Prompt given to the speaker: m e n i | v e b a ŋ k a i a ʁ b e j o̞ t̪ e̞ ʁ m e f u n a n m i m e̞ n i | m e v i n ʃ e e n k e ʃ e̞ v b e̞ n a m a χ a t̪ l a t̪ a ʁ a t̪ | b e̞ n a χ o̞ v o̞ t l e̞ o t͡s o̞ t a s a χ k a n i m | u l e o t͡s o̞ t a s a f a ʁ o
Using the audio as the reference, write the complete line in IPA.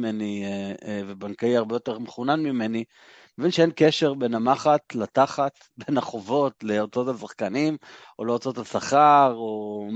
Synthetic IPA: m e n i | v e b a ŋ k a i a ʁ b e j o̞ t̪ e̞ ʁ m e χ u n a n m i m e̞ n i | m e v i n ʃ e e n k e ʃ e̞ ʁ b e̞ n a m a χ a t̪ l a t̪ a χ a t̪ | b e̞ n a χ o̞ v o̞ t l e̞ o t͡s o̞ t a s a χ k a n i m | o l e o t͡s o̞ t a s a χ a ʁ o